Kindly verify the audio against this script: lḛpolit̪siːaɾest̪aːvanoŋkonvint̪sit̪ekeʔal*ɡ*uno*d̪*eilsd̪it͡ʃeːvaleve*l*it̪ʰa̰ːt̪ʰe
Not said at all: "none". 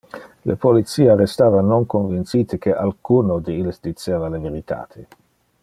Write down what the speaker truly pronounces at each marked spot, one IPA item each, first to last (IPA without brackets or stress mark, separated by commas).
k, d̪, ɾ